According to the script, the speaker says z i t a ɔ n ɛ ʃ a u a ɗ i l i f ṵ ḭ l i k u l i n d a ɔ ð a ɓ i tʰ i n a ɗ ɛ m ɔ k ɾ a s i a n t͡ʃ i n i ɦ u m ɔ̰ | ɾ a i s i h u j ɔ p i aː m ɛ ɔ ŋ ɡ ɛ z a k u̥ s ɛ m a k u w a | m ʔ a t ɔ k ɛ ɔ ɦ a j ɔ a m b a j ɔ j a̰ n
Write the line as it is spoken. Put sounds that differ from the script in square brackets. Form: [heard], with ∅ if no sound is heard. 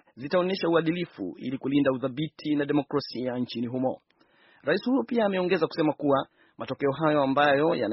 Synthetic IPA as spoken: z i t a ɔ n ɛ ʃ a u a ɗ i l i f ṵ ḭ l i k u l i n d a [u] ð a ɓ i tʰ i n a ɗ ɛ m ɔ k ɾ a s i a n t͡ʃ i n i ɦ u m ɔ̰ | ɾ a i s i h u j ɔ p i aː m ɛ ɔ ŋ ɡ ɛ z a k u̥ s ɛ m a k u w a | m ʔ a t ɔ k ɛ ɔ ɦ a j ɔ a m b a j ɔ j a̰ n